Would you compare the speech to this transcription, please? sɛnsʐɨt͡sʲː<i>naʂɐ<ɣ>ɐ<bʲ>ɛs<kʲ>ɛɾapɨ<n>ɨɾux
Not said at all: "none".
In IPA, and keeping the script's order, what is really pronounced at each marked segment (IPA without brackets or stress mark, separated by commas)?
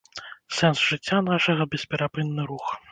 a, ɣ, bʲ, pʲ, nː